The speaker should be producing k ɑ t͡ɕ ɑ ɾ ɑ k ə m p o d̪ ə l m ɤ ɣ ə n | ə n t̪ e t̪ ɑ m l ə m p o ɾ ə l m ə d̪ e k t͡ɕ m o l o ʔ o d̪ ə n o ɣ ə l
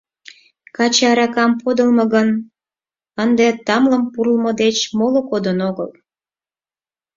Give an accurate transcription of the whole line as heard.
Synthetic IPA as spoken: k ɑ t͡ɕ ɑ ɾ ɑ k ɑ m p o d̪ ə l m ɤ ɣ ə n | ə n d̪ e t̪ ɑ m l ə m p u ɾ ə l m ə d̪ e t͡ɕ m o l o k o d̪ ə n o ɣ ə l